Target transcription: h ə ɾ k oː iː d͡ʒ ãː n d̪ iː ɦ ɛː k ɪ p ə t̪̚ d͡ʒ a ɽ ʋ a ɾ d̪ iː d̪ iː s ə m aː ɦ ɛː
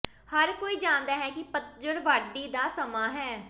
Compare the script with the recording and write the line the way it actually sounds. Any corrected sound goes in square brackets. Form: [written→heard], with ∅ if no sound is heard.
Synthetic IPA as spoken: h ə ɾ k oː iː d͡ʒ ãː n d̪ [iː→aː] ɦ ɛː k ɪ p ə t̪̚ d͡ʒ [a→ə] ɽ ʋ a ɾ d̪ iː d̪ [iː→aː] s ə m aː ɦ ɛː